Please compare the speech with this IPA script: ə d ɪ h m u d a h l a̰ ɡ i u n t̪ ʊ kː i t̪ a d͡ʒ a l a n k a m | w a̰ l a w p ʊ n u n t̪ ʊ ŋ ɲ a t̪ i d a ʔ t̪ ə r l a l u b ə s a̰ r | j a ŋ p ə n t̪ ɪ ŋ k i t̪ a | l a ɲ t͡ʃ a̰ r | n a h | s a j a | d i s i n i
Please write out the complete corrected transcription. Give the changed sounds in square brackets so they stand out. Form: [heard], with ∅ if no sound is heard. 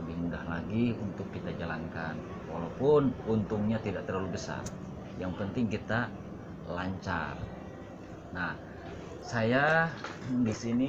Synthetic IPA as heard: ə [b] ɪ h m u d a h l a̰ ɡ i u n t̪ ʊ kː i t̪ a d͡ʒ a l a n k a [n] | w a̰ l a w p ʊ n u n t̪ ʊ ŋ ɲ a t̪ i d a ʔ t̪ ə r l a l u b ə s a̰ r | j a ŋ p ə n t̪ ɪ ŋ k i t̪ a | l a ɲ t͡ʃ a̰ r | n a h | s a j a | d i s i n i